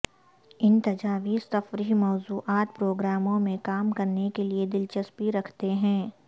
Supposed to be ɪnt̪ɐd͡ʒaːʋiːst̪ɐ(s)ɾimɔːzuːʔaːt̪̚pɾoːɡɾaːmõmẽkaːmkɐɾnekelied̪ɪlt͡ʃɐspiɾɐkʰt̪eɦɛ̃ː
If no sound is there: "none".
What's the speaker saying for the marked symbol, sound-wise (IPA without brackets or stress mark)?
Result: f